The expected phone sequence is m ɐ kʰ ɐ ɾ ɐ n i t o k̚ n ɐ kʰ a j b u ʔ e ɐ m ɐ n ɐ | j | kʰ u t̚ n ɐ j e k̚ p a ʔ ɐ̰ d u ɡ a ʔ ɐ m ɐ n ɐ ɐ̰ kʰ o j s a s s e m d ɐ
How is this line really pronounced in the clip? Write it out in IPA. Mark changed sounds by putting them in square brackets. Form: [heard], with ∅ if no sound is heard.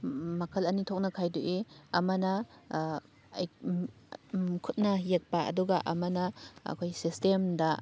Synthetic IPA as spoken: m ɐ kʰ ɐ [l] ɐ n i [tʰ] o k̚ n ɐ kʰ a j [d] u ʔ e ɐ m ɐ n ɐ | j | kʰ u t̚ n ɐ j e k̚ p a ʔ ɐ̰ d u ɡ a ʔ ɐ m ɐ n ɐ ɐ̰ kʰ o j s [i] s [t] e m d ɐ